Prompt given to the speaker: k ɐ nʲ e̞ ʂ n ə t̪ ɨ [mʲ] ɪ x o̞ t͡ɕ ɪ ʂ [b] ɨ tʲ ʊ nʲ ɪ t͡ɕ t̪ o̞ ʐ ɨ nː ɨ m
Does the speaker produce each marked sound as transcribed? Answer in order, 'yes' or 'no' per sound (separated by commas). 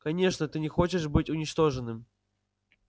no, yes